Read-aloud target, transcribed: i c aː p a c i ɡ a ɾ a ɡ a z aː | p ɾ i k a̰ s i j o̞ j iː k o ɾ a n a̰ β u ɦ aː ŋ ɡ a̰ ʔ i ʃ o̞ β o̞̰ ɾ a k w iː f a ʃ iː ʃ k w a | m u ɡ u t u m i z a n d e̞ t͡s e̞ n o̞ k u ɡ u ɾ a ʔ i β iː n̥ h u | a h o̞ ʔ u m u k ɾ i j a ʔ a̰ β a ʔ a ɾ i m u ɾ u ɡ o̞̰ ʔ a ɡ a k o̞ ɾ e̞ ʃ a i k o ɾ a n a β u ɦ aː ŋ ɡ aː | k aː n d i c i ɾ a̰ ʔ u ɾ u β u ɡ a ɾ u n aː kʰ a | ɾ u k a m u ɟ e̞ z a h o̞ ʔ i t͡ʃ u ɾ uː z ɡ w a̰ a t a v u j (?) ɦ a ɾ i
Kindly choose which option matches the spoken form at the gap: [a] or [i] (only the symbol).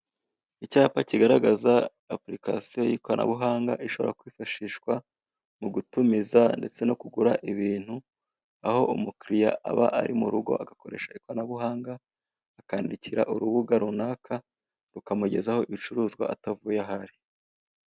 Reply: a